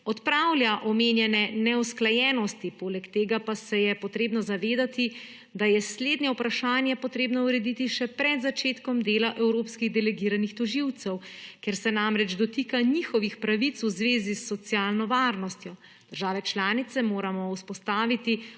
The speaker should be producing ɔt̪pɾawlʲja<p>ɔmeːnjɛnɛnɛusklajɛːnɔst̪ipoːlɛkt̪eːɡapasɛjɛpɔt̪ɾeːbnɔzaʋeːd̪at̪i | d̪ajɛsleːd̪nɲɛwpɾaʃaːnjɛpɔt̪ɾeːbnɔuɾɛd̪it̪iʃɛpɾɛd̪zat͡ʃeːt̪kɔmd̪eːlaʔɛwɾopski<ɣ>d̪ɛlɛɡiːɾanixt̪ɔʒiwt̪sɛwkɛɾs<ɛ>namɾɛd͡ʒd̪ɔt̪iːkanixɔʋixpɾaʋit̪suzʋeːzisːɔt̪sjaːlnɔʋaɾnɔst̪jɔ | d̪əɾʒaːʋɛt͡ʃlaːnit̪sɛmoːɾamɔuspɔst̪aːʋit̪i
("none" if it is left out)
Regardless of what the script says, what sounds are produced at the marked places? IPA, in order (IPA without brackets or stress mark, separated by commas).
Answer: ʔ, ɣ, ɛ